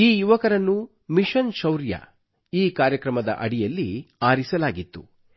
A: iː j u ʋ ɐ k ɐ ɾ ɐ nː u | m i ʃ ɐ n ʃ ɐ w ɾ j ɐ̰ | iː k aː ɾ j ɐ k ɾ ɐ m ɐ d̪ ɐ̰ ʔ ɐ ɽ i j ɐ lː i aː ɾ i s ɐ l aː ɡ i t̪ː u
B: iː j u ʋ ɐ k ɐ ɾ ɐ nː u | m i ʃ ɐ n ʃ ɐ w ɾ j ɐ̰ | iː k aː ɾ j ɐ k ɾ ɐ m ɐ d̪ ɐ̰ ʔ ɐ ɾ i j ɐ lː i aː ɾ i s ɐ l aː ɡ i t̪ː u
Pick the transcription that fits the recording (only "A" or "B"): A